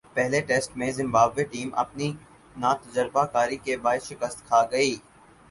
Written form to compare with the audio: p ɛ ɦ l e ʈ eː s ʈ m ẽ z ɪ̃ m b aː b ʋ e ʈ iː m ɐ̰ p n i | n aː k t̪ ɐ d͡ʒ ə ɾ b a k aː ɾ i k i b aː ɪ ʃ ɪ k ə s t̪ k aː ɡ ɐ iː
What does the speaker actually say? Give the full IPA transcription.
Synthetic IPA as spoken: p ɛ ɦ l e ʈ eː s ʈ m ẽ z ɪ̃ m b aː b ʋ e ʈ iː m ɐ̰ p n i | n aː t̪ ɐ d͡ʒ ə ɾ b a k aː ɾ i k e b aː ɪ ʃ ɪ k ə s t̪ kʰ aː ɡ ɐ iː